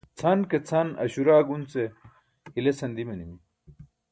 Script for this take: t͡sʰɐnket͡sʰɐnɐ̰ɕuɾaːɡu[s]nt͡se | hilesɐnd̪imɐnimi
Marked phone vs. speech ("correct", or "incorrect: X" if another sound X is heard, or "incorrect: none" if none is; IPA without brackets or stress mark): incorrect: none